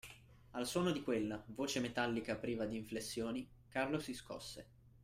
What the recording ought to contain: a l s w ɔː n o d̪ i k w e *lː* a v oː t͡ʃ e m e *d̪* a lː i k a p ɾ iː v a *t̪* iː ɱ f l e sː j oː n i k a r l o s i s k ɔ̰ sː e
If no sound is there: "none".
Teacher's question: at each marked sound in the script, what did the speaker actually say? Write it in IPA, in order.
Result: lː, t̪, d̪

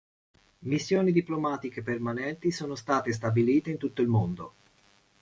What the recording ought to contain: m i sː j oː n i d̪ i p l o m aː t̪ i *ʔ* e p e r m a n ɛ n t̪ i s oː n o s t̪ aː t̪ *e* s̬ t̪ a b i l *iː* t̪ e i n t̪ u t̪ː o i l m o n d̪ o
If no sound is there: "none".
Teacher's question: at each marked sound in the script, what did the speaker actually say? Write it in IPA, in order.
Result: k, e, iː

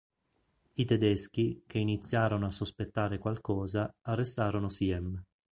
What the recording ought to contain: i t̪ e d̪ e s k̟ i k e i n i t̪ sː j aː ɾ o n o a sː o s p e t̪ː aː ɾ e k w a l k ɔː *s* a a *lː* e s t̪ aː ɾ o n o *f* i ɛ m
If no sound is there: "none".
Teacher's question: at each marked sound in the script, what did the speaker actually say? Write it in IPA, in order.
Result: z, rː, s

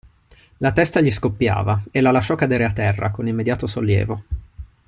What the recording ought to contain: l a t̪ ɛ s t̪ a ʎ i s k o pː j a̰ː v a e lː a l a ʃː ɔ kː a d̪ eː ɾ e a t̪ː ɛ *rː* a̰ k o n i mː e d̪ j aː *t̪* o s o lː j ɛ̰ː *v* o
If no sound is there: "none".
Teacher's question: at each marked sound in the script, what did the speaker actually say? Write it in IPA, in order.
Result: rː, t̪, v

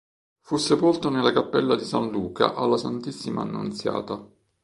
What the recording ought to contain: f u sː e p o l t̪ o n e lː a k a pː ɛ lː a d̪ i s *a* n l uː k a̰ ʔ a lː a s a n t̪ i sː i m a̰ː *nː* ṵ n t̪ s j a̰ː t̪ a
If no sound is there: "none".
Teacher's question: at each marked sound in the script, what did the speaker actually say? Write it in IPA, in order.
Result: a, nː

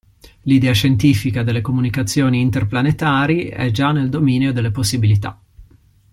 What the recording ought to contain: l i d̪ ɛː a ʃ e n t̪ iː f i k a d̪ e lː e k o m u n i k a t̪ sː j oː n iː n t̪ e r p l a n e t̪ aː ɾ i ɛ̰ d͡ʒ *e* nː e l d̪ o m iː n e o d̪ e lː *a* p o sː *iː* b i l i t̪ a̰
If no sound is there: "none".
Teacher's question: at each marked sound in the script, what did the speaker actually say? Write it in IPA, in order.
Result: a, e, i

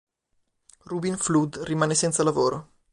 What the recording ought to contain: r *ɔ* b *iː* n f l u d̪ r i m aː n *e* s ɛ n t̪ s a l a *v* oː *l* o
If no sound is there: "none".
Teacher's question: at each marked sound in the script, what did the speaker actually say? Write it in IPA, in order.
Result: u, i, e, v, ɾ

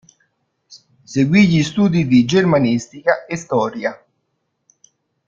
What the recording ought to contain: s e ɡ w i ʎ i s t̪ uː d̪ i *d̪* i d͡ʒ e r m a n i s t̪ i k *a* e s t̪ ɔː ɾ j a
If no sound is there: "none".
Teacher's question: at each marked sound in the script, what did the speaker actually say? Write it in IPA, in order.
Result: d̪, a

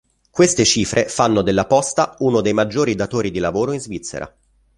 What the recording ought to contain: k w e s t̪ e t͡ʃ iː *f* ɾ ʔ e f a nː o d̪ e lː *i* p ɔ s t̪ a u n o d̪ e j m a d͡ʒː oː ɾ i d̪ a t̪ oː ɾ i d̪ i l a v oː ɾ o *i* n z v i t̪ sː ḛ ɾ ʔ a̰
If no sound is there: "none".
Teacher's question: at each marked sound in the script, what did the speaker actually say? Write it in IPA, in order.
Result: f, a, i

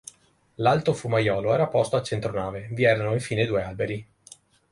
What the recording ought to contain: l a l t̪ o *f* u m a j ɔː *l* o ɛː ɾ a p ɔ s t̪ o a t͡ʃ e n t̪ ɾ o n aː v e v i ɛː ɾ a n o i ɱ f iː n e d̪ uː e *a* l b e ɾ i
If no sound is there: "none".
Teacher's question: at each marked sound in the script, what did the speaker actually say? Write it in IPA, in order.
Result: f, l, a

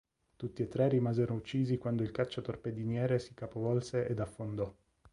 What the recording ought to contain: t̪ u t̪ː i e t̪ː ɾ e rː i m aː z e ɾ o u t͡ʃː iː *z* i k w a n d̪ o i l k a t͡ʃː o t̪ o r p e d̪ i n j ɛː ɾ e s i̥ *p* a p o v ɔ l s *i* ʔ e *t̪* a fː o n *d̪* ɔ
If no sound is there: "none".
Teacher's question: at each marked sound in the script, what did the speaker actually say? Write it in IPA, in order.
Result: z, k, e, d̪, d̪

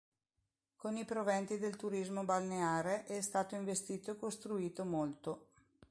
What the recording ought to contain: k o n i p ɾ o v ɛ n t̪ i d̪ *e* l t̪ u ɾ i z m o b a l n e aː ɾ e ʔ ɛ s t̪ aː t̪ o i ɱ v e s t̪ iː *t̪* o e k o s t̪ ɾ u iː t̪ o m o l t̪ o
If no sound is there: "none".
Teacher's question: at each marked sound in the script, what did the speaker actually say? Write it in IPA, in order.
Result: e, t̪

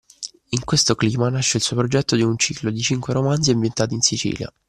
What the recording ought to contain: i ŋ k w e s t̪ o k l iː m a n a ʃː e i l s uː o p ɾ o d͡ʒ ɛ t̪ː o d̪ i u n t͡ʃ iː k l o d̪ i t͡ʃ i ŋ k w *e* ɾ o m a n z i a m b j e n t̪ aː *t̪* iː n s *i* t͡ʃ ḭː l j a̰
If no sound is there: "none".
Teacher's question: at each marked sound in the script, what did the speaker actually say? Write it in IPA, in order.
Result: e, t̪, i

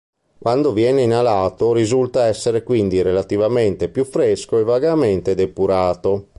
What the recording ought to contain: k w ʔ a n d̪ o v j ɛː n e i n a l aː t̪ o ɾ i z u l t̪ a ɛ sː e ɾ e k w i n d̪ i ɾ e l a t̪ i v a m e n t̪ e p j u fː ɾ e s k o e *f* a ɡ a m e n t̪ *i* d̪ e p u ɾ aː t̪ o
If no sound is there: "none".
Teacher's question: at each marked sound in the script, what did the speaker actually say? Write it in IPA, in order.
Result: v, e

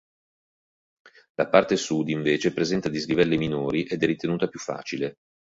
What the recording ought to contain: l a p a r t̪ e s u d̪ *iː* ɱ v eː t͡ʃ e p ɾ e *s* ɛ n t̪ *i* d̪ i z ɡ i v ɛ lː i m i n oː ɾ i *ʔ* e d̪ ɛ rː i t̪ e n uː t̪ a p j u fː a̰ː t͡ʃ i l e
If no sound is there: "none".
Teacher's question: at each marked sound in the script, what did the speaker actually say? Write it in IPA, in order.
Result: i, z, a, ʔ

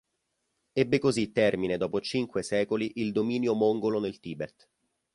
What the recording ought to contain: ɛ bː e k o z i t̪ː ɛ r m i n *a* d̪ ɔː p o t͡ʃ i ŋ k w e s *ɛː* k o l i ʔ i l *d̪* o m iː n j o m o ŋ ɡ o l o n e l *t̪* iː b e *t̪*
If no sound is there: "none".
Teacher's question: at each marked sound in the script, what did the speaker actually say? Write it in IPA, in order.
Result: e, ɛː, d̪, t̪, t̪

